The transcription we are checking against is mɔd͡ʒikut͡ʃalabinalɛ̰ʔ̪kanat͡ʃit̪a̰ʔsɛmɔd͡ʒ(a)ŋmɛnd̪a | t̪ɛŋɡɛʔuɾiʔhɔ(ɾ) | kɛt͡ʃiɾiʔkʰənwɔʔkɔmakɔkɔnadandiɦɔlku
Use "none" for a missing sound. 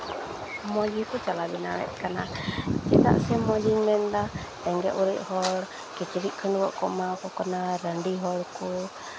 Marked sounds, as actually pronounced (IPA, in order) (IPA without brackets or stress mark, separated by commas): i, l